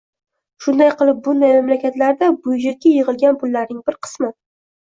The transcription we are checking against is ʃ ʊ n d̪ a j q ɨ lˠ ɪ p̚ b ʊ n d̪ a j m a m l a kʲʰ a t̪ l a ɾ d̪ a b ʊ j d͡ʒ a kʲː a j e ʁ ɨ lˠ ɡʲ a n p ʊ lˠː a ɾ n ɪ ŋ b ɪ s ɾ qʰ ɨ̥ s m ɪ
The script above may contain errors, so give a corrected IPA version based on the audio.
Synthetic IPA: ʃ ʊ n d̪ a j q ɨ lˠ ɪ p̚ b ʊ n d̪ a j m a m l a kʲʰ a t̪ l a ɾ d̪ a b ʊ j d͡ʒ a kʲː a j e ʁ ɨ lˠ ɡʲ a n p ʊ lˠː a ɾ n ɪ ŋ b ɪ ɾ qʰ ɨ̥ s m ɪ

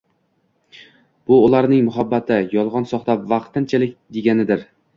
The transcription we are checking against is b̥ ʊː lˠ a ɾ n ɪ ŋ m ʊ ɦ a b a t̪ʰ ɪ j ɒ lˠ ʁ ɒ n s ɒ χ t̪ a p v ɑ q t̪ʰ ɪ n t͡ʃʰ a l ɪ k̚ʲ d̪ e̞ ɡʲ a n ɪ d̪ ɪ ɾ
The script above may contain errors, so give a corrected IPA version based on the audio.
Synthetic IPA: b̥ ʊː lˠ a ɾ n ɪ ŋ m ʊ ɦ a bː a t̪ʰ ɪ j ɒ lˠ ʁ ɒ n s ɒ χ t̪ a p v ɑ q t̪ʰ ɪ n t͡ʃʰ a l ɪ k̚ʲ d̪ e̞ ɡʲ a n ɪ d̪ ɪ ɾ

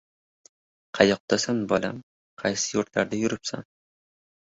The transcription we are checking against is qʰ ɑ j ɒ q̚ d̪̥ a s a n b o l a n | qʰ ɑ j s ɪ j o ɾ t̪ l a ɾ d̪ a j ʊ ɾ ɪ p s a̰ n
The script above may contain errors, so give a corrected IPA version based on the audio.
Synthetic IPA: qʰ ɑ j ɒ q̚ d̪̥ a s a n b ɒ l a m | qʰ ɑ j s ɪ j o ɾ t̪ l a ɾ d̪ a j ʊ ɾ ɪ p s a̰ n

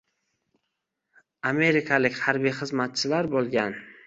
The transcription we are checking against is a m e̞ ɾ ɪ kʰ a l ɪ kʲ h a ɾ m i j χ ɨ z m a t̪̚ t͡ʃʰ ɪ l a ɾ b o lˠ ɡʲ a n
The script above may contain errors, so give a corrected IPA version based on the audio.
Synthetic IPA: a m e̞ ɾ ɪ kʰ a l ɪ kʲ h a ɾ b i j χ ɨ z m a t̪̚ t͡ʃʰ ɪ l a ɾ b o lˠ ɡʲ a n

